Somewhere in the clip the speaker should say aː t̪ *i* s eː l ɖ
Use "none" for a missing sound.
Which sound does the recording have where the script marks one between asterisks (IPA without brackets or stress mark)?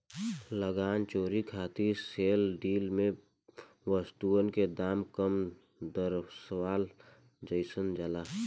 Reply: i